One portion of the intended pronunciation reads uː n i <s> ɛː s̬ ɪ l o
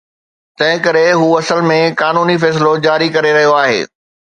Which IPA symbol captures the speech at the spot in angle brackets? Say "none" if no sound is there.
f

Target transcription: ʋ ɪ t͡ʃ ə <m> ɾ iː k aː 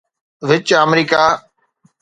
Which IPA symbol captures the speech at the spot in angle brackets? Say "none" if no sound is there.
m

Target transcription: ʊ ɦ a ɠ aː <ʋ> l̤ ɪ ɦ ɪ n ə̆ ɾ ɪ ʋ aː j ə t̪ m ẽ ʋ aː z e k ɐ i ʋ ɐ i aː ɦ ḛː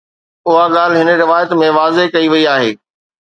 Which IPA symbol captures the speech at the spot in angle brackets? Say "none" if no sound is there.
none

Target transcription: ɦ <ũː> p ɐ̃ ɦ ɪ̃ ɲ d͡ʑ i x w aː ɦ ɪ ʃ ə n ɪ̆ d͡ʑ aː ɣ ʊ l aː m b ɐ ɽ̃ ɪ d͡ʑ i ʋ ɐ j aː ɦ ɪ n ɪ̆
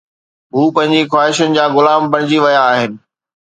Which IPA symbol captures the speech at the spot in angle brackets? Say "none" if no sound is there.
uː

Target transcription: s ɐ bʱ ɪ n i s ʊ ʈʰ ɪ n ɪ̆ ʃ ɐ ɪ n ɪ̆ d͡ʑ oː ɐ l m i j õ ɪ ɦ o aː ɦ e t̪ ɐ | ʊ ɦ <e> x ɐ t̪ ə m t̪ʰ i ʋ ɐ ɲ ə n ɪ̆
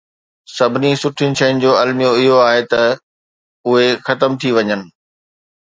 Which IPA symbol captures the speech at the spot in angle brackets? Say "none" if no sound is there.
e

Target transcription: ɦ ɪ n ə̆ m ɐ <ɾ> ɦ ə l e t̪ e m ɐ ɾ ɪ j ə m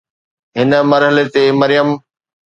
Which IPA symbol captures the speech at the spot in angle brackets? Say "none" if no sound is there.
ɾ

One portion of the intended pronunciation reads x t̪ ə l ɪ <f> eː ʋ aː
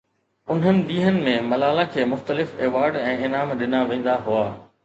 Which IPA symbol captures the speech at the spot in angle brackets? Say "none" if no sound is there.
f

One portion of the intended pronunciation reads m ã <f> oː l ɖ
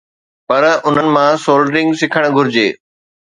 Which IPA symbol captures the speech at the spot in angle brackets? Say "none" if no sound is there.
s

